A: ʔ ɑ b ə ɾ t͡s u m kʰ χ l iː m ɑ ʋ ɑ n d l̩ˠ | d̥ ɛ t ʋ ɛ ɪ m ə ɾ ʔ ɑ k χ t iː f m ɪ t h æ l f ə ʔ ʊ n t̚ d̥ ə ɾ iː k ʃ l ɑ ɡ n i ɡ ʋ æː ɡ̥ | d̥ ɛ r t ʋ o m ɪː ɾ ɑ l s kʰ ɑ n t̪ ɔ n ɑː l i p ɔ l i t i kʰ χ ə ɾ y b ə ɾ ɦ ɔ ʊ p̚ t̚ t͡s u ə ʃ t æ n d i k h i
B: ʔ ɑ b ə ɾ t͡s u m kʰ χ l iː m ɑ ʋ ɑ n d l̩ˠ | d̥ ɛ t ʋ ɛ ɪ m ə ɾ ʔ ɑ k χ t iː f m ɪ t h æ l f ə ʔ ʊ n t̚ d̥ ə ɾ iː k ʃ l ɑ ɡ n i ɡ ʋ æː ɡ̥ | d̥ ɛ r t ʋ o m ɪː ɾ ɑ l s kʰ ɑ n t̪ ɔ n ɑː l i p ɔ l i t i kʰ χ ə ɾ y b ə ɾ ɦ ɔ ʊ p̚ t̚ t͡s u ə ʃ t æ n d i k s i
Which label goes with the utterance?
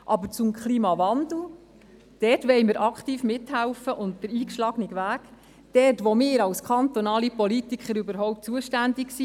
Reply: B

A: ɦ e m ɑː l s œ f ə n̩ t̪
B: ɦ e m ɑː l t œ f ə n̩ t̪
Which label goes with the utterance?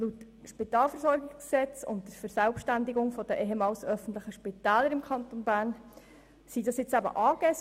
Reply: A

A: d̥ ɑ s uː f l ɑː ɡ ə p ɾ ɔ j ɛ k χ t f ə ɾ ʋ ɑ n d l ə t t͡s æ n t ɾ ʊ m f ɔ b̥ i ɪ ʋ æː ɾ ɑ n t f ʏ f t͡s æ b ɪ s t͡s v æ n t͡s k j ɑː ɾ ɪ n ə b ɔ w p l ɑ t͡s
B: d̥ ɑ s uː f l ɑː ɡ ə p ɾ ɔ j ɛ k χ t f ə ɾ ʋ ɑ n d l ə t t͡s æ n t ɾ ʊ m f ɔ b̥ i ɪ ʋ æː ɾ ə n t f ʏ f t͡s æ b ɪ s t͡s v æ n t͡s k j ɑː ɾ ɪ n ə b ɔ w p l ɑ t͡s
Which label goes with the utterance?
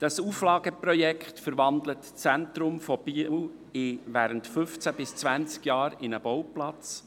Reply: B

